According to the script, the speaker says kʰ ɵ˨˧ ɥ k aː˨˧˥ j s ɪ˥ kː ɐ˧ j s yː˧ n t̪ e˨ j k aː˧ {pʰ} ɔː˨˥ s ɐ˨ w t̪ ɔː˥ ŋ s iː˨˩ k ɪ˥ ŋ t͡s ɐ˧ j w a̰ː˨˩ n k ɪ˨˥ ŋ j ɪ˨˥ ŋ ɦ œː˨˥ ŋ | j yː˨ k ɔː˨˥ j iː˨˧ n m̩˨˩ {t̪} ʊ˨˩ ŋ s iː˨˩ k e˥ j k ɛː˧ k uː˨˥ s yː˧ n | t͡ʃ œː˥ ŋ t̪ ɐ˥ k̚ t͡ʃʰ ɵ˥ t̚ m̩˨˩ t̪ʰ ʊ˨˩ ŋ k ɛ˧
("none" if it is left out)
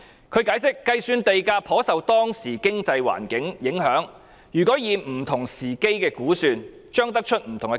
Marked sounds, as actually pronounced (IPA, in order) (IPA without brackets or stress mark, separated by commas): pʰ, t̪ʰ